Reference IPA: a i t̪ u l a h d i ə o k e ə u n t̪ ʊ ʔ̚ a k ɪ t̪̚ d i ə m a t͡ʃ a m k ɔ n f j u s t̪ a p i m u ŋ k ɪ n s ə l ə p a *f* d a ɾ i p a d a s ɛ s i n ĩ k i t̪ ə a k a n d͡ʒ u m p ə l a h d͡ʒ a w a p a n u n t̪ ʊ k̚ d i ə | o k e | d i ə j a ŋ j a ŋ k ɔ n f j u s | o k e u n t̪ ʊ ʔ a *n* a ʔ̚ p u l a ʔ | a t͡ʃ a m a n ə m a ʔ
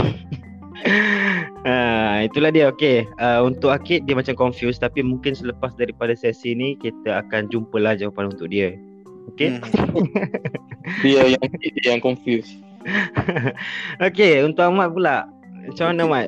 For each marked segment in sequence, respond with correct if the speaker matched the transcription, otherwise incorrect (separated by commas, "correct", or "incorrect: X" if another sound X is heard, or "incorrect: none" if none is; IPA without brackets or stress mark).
incorrect: s, incorrect: m